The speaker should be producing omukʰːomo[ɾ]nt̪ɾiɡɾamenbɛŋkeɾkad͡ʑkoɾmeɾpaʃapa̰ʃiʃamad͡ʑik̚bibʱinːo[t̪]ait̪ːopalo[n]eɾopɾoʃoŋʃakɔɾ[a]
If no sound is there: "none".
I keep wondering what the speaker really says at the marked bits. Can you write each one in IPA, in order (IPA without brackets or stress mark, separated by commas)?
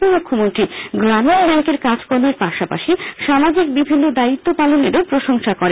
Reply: none, d̪, n, e